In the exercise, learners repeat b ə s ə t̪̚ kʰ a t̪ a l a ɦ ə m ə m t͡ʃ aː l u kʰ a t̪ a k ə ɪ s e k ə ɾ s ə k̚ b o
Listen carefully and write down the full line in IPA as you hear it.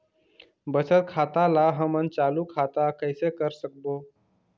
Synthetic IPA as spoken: b ə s ə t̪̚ kʰ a t̪ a l a ɦ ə m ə n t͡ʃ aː l u kʰ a t̪ a k ə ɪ s e k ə ɾ s ə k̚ b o

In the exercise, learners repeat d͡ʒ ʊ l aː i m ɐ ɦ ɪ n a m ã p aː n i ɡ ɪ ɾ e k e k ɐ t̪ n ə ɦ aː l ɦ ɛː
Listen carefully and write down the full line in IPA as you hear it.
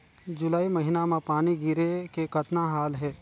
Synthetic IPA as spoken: d͡ʒ ʊ l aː i m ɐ ɦ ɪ n a m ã p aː n i ɡ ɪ ɾ e k e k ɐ t̪ n a ɦ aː l ɦ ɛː

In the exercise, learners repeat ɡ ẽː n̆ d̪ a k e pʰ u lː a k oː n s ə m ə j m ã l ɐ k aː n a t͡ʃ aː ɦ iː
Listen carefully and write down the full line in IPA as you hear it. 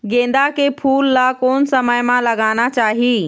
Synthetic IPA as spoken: ɡ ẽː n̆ d̪ a k e pʰ uː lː a k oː n s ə m ə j m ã l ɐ ɡ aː n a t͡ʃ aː ɦ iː

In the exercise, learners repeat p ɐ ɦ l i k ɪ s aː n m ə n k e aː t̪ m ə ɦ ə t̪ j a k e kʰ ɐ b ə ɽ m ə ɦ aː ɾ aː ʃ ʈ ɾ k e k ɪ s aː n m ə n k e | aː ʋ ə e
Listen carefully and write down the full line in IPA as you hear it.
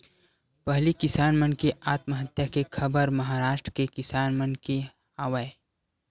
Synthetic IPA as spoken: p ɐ ɦ l i k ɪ s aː n m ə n k e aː t̪ m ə ɦ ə t̪ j a k e kʰ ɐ b ə ɾ m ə ɦ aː ɾ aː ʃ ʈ ɾ k e k ɪ s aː n m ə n k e | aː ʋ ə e

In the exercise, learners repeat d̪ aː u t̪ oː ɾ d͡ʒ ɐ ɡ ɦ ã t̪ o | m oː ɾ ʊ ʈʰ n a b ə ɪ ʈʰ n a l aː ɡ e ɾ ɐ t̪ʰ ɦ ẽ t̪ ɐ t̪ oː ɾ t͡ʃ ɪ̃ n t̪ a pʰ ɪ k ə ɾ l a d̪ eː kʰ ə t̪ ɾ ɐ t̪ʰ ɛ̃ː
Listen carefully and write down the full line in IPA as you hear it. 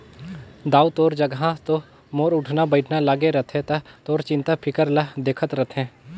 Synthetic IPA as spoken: d̪ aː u t̪ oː ɾ d͡ʒ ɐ ɡ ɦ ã t̪ o | m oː ɾ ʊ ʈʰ n a b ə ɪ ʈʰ n a l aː ɡ e ɾ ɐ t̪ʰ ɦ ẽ t̪ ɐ t̪ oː ɾ t͡ʃ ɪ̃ n t̪ a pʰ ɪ k ə ɾ l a d̪ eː kʰ ə t̪ ɾ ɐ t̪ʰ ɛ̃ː

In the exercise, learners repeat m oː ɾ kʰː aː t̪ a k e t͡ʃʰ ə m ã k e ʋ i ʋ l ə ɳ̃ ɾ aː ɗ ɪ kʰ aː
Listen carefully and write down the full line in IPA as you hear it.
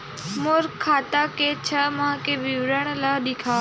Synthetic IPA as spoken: m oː ɾ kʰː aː t̪ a k e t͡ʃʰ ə m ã k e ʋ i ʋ ɾ ə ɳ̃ l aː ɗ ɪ kʰ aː

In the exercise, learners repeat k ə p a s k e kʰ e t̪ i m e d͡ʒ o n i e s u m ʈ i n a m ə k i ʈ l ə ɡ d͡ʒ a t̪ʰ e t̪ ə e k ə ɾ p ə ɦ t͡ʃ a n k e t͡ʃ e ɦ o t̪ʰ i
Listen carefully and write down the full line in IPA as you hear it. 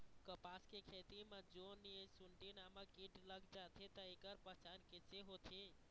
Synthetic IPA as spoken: k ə p a s k e kʰ e t̪ i m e d͡ʒ o n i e s u ɳ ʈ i n a m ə k i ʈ l ə ɡ d͡ʒ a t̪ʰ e t̪ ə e k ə ɾ p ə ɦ t͡ʃ a n k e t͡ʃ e ɦ o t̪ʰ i

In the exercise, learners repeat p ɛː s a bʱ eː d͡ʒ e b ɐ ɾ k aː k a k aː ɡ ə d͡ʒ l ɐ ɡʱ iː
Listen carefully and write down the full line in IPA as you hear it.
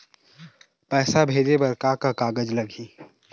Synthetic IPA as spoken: p ɛː s a bʱ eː d͡ʒ e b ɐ ɾ k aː k a k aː ɡ ə d͡ʒ l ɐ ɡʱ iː

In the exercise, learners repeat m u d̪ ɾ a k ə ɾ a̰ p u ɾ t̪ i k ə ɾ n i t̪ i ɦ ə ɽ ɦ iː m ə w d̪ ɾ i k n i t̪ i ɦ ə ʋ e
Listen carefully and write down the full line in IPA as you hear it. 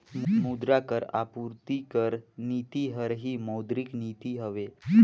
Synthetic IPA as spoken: m u d̪ ɾ a k ə ɾ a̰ p u ɾ t̪ i k ə ɾ n i t̪ i ɦ ə ɾ ɦ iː m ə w d̪ ɾ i k n i t̪ i ɦ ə ʋ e

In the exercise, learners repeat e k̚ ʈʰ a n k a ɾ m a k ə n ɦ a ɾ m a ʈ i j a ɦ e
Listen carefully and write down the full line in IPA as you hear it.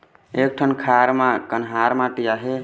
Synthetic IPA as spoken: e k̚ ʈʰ ə n kʰ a ɾ m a k ə n ɦ a ɾ m a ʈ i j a ɦ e

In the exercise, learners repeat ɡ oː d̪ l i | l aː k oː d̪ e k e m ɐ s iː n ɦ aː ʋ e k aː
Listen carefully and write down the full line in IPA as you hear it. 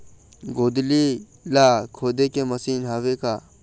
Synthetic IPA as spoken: ɡ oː d̪ l i | l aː kʰ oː d̪ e k e m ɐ s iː n ɦ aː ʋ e k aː

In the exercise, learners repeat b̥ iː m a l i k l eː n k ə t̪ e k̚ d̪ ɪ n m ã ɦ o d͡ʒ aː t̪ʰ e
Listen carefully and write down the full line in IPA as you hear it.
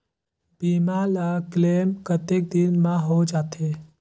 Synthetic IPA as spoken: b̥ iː m a l a k l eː m k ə t̪ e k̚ d̪ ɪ n m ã ɦ o d͡ʒ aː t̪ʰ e

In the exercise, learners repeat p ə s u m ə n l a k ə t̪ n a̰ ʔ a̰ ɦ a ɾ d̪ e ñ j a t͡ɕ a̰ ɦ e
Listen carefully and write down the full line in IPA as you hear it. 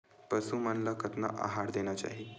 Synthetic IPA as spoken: p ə s u m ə n l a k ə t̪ n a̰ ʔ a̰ ɦ a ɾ d̪ e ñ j a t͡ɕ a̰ ɦ i

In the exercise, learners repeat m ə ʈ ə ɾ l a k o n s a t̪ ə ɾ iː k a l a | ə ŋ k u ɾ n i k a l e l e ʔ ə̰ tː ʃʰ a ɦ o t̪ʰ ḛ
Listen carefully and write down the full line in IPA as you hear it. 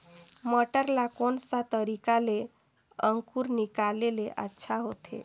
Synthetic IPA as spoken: m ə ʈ ə ɾ l a k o n s a t̪ ə ɾ i k a l e | ə ŋ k u ɾ n i k a l e l e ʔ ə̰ tː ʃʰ a ɦ o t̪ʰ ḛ

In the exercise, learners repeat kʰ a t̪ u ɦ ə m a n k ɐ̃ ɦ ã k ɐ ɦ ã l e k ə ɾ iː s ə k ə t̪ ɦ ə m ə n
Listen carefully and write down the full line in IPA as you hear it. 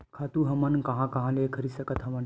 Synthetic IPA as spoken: kʰ a t̪ u ɦ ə m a n k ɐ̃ ɦ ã k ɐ ɦ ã l e kʰ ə ɾ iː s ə k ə t̪ ɦ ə m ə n

